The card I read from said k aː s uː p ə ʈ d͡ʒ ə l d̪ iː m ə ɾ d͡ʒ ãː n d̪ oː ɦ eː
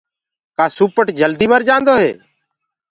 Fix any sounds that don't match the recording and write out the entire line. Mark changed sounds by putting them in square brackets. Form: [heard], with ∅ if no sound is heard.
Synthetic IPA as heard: k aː s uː p ə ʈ d͡ʒ ə l d̪ iː m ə ɾ d͡ʒ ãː n d̪ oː ɦ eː